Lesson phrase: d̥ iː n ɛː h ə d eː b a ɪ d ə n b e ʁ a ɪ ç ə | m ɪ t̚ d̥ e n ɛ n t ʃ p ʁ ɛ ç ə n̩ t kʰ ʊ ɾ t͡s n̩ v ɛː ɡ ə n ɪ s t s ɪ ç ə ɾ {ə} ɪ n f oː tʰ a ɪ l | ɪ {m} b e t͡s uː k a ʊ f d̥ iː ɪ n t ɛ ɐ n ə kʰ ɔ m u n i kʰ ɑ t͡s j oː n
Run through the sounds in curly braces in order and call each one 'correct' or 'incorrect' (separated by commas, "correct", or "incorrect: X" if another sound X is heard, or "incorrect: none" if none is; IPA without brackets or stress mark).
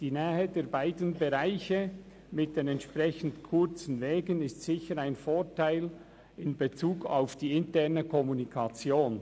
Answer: incorrect: a, incorrect: n